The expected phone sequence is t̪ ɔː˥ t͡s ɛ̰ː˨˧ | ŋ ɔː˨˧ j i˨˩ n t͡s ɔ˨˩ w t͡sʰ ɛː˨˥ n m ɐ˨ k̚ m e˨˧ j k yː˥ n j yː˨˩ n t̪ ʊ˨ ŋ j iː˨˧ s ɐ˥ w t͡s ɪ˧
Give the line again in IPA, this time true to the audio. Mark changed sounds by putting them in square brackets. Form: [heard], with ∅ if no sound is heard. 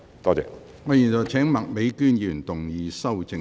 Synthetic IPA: t̪ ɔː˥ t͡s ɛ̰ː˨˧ | ŋ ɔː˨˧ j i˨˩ n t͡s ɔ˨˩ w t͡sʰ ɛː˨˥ [ŋ] m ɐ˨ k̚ m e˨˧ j k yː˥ n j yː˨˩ n t̪ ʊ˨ ŋ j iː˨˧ s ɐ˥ w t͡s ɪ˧